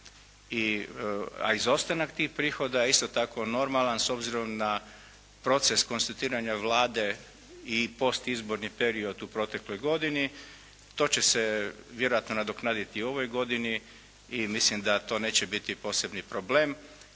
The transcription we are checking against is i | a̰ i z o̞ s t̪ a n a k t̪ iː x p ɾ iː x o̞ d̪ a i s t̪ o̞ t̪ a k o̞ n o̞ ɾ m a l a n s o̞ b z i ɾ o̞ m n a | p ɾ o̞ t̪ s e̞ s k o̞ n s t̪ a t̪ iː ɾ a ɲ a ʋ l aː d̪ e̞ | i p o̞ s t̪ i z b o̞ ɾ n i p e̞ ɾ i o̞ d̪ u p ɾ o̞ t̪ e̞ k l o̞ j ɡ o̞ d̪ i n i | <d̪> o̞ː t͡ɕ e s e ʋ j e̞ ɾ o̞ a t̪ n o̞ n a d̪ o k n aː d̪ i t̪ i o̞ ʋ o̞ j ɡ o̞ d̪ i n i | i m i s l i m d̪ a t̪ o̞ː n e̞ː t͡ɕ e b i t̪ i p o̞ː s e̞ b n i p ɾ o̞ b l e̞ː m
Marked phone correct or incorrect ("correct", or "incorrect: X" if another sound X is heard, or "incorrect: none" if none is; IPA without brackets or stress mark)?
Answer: incorrect: t̪